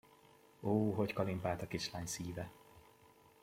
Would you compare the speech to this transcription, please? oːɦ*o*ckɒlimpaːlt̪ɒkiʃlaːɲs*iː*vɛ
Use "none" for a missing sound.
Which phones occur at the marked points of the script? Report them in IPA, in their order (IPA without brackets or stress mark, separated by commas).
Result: o, iː